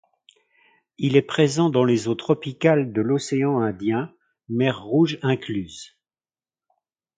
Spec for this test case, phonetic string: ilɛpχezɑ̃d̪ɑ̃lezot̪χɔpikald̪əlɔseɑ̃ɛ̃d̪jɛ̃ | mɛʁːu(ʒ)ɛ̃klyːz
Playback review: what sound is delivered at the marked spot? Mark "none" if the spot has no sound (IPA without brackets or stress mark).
ʒ